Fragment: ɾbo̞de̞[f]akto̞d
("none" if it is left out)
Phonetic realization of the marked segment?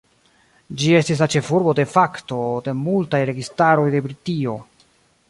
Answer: f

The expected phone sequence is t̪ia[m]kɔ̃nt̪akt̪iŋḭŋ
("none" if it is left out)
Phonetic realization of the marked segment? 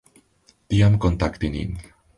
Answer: m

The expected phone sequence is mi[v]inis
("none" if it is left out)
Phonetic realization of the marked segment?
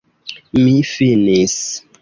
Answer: f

